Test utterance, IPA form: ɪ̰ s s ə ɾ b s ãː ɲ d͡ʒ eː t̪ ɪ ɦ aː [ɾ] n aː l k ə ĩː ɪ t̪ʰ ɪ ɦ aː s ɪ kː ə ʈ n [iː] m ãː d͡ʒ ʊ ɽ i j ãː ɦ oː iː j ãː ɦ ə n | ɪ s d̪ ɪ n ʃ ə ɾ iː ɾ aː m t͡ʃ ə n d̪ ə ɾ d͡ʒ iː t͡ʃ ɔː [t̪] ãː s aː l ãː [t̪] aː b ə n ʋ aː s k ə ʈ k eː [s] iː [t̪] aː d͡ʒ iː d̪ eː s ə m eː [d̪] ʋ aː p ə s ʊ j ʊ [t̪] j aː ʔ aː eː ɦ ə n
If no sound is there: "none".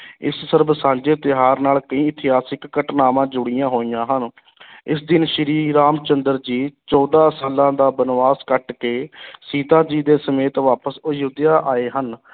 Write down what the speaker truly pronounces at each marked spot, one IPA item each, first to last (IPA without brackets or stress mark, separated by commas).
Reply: ɾ, aː, d̪, d̪, s, t̪, t̪, d̪